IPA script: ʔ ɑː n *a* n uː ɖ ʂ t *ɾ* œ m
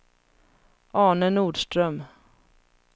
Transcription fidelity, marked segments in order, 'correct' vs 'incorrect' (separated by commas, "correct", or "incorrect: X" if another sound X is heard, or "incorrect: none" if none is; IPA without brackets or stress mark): incorrect: ə, correct